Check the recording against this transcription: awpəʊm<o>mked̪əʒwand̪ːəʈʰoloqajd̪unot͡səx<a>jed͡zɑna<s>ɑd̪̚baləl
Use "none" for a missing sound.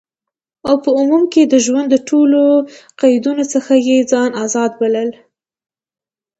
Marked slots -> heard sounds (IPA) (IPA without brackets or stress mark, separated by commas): u, a, z